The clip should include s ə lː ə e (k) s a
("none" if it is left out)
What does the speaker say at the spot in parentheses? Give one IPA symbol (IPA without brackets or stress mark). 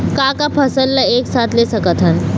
k